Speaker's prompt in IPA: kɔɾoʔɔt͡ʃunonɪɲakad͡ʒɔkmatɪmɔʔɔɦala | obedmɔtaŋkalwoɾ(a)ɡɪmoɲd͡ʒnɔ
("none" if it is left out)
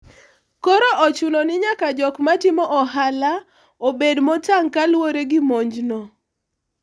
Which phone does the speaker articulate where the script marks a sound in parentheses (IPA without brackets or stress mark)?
e